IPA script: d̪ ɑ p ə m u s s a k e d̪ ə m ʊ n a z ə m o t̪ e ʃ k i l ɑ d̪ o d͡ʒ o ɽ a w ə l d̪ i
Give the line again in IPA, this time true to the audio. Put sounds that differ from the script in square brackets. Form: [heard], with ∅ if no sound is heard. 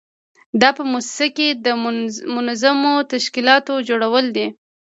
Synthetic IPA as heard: d̪ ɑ p ə m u s s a k e d̪ ə m ʊ n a z [a] m o t̪ [a] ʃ k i l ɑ [t̪] o d͡ʒ o ɽ a w ə l d̪ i